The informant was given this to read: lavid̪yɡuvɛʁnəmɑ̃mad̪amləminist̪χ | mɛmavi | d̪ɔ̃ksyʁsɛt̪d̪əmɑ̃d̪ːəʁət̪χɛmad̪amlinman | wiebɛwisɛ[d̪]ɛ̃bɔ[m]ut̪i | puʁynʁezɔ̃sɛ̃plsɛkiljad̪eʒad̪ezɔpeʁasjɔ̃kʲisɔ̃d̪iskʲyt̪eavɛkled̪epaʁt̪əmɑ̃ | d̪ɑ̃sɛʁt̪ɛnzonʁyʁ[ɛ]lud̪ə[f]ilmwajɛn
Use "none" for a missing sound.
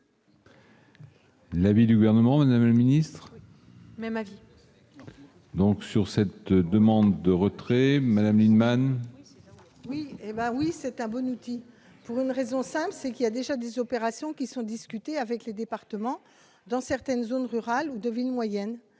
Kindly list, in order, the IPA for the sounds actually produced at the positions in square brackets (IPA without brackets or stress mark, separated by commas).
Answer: t̪, n, a, v